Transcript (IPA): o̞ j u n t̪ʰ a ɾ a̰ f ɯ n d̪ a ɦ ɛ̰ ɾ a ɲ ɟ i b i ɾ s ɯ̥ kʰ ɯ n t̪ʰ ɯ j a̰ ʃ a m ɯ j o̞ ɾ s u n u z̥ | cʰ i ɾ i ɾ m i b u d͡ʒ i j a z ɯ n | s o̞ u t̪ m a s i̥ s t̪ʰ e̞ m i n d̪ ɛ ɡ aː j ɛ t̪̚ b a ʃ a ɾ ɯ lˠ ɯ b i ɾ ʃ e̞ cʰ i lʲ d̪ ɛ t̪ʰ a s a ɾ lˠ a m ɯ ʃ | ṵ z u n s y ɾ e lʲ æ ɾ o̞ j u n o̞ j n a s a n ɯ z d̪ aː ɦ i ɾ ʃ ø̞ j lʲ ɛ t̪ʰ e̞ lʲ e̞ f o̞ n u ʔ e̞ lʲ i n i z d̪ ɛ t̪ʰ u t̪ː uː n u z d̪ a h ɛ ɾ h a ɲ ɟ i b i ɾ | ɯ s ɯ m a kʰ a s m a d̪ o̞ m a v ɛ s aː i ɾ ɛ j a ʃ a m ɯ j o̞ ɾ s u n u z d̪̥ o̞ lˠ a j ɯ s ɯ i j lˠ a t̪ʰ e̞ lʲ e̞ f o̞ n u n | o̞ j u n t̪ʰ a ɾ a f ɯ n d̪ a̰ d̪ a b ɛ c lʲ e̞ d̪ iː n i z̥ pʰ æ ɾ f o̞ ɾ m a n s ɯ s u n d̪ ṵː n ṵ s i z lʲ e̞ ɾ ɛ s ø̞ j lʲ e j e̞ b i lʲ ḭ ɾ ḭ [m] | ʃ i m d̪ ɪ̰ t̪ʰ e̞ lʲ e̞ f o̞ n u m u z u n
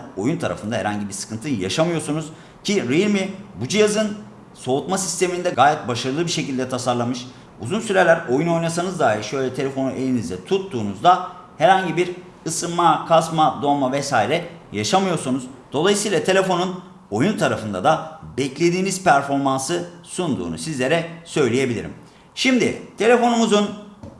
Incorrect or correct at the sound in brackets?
correct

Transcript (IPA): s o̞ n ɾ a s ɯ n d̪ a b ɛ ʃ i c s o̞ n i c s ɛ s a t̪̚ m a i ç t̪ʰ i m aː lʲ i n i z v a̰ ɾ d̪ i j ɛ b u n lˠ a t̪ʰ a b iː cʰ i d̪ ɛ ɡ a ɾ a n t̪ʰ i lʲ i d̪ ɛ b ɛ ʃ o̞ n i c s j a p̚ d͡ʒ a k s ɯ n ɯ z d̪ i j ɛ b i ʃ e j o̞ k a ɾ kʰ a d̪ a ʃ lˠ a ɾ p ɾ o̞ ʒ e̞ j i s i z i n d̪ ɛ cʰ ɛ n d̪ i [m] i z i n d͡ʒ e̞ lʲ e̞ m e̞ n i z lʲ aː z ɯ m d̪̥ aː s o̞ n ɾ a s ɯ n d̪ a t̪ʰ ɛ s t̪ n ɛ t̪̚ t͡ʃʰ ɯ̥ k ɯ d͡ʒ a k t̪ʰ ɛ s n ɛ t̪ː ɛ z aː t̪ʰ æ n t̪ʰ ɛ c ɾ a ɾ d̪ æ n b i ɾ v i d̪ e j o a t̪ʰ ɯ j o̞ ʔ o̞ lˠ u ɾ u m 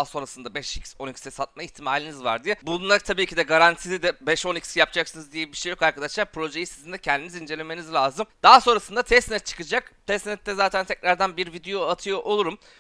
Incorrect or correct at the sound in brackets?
incorrect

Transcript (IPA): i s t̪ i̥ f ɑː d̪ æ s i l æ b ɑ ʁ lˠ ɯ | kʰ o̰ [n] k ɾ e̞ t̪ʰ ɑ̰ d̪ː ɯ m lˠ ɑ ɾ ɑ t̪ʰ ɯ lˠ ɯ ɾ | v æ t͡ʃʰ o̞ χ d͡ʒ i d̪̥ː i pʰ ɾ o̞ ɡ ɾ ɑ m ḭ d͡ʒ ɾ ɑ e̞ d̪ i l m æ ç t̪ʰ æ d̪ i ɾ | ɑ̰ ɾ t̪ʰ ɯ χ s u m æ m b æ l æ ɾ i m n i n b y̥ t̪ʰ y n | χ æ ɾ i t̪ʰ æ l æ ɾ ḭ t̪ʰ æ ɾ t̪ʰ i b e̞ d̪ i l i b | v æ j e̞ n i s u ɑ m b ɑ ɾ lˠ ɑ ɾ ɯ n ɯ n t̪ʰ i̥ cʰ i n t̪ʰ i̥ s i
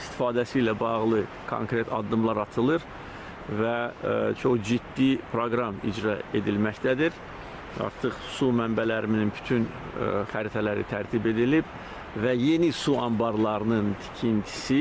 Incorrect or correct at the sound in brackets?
incorrect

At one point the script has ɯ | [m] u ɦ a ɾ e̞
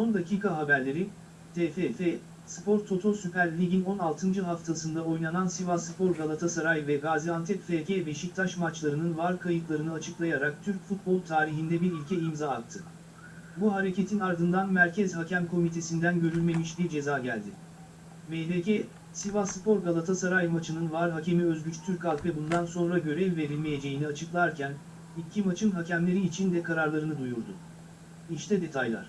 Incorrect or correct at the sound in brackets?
incorrect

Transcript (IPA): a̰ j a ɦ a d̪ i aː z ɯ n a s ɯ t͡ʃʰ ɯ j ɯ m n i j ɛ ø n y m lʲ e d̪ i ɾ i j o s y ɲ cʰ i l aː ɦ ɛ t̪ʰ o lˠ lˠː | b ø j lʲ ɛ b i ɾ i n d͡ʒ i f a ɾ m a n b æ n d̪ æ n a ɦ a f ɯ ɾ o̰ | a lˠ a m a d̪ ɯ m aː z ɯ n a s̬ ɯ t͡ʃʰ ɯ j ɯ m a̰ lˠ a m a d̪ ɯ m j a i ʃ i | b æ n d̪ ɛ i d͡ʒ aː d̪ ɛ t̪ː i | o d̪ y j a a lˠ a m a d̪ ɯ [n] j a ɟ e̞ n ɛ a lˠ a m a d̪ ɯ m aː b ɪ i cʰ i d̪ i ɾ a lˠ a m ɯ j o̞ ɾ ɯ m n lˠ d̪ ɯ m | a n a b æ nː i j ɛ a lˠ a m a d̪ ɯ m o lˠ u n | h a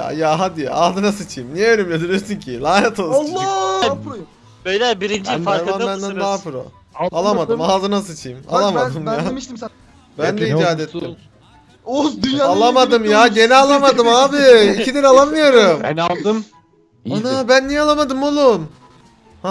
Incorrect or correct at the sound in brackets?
incorrect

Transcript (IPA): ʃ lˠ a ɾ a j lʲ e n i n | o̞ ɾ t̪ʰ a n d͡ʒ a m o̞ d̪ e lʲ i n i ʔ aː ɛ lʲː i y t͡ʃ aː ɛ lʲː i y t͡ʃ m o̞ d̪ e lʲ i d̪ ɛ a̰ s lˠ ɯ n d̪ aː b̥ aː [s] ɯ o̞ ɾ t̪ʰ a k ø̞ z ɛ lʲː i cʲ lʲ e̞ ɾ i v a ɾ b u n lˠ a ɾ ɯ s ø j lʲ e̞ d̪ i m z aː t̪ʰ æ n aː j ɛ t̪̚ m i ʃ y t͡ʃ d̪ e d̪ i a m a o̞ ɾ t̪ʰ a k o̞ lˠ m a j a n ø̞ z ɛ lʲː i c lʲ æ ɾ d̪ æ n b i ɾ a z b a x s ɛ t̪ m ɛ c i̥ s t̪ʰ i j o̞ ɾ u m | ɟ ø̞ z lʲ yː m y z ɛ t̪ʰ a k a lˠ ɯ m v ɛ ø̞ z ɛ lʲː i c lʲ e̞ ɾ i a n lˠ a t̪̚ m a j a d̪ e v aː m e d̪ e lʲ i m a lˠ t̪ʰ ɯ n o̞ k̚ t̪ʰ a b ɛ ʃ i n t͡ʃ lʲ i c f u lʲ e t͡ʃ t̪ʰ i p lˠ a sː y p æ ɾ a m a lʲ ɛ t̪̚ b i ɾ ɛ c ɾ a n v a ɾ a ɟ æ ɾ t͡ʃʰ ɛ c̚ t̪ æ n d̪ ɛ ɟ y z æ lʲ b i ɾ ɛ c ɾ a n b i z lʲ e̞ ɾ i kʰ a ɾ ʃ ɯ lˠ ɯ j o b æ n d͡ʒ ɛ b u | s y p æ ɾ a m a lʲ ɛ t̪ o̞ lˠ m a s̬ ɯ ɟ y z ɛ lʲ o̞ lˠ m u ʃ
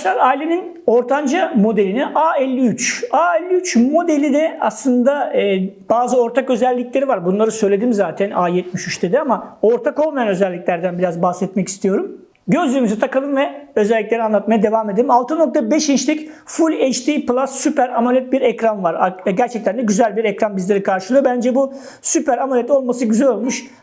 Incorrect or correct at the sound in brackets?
incorrect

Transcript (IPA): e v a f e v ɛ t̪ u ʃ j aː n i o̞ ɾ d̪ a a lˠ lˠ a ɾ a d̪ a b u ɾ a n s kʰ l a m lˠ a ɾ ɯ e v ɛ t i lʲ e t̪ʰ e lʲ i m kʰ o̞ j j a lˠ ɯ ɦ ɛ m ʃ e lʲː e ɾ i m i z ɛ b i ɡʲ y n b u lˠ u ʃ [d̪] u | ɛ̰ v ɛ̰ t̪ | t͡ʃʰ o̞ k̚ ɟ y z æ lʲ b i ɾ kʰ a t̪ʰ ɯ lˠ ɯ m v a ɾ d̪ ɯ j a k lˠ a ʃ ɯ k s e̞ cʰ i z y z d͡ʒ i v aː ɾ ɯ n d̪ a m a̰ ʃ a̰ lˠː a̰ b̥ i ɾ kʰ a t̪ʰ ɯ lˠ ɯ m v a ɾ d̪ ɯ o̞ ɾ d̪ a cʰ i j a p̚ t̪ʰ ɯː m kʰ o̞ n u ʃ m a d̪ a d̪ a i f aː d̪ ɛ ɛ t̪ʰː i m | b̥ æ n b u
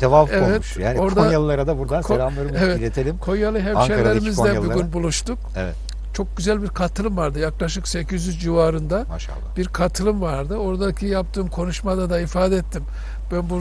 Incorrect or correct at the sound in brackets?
incorrect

